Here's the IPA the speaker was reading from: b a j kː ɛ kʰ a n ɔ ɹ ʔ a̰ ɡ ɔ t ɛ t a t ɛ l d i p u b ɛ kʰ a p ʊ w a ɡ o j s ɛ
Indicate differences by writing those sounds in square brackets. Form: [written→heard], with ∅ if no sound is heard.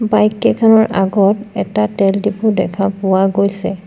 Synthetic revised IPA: b a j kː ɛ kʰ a n ɔ ɹ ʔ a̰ ɡ ɔ t ɛ t a t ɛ l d i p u [b→d] ɛ kʰ a p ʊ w a ɡ o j s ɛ